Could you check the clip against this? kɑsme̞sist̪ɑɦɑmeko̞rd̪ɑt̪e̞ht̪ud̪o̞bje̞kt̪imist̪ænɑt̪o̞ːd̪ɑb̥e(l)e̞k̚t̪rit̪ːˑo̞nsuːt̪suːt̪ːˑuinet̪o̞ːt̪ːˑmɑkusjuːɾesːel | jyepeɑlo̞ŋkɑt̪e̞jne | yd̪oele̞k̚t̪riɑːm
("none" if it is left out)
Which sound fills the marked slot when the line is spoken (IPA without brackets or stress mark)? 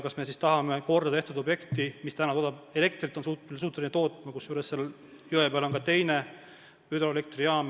l